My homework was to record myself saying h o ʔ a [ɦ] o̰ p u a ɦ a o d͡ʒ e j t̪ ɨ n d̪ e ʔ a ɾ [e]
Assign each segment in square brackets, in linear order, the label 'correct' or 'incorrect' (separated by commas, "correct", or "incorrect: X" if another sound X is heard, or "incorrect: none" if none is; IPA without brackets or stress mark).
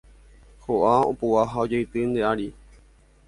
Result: incorrect: none, incorrect: i